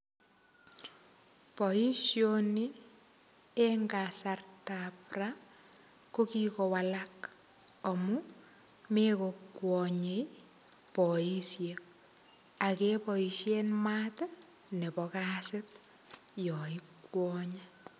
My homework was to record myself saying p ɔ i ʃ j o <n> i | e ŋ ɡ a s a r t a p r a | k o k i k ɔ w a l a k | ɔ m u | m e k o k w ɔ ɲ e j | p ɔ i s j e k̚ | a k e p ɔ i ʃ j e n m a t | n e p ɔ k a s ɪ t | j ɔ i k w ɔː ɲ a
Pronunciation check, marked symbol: correct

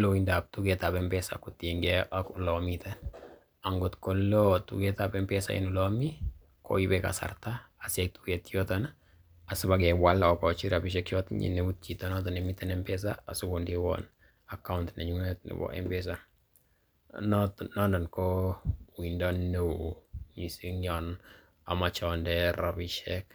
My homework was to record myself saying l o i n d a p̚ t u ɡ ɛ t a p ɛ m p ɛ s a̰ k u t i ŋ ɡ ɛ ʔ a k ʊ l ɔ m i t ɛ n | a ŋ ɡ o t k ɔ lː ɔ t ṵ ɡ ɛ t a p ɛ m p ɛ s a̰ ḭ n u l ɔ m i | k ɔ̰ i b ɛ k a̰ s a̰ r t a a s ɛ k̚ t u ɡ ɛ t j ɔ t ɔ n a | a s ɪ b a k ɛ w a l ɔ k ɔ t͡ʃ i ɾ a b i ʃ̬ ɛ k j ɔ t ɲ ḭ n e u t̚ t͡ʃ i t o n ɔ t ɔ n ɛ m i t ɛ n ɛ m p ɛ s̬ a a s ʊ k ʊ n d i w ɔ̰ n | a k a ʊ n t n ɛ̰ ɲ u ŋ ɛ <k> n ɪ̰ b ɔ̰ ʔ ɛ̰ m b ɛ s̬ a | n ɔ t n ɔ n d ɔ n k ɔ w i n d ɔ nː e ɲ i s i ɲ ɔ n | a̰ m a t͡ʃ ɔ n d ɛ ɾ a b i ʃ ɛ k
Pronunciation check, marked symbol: incorrect: t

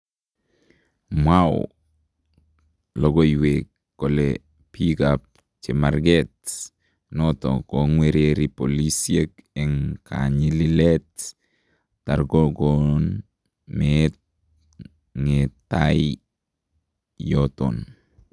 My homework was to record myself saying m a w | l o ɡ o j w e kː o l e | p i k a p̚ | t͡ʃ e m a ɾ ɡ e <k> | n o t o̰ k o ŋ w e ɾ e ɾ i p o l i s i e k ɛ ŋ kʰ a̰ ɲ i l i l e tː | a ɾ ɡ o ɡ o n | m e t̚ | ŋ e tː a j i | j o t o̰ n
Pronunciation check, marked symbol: incorrect: t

